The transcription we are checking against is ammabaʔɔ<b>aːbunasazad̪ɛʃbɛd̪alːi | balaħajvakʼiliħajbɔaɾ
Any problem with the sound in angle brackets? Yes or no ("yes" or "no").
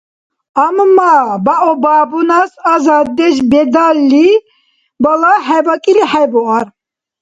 no